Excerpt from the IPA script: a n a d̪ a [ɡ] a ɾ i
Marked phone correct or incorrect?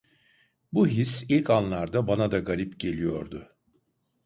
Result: correct